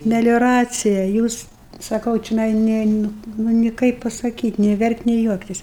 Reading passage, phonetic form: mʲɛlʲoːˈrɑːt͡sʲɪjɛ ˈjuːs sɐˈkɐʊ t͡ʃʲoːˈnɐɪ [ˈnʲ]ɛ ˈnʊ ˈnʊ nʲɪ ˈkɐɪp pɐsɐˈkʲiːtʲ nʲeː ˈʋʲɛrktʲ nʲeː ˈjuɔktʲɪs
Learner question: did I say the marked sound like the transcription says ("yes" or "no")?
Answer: yes